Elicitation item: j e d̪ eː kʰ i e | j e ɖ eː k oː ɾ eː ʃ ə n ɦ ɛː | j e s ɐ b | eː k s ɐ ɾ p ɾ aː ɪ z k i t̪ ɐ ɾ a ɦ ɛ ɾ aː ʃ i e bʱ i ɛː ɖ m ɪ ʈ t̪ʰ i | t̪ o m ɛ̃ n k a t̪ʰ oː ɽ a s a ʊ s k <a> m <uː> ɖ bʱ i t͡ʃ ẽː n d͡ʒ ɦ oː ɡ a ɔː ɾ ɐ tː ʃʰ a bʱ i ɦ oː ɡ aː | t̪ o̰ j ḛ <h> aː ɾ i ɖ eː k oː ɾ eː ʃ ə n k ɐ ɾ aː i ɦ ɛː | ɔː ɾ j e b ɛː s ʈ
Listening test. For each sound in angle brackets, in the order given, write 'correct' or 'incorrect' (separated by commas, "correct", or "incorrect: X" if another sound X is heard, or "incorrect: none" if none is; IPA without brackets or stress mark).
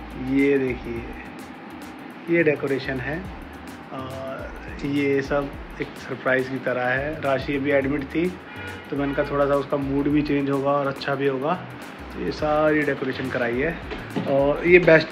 correct, correct, incorrect: s